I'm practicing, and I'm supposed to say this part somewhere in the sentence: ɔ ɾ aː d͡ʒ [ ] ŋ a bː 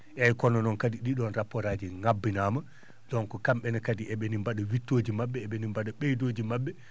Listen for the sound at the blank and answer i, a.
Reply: i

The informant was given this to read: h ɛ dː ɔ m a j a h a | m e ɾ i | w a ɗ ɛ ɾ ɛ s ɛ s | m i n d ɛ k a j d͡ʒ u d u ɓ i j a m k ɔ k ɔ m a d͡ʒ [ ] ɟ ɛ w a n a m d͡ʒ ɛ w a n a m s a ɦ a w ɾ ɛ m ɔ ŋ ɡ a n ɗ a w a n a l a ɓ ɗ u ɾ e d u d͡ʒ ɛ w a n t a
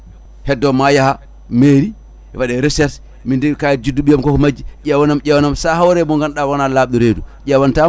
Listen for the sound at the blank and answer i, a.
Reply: i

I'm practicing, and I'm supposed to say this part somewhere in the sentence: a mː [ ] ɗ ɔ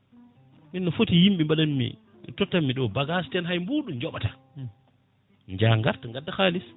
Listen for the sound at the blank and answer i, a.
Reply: i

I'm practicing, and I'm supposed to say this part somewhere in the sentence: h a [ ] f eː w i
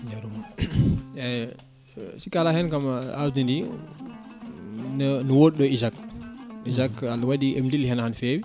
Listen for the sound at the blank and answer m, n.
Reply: n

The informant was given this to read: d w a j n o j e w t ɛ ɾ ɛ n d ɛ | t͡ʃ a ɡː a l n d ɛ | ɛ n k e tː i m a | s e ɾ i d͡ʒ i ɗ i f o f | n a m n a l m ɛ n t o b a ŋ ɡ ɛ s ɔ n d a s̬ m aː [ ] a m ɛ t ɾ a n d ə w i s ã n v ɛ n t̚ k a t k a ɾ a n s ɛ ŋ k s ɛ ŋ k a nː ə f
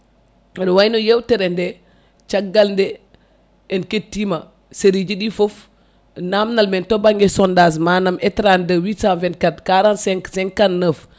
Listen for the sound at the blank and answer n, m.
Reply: n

